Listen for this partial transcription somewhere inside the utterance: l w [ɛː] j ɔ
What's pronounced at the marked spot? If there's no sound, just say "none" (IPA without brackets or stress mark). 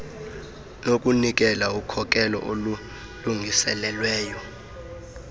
ɛː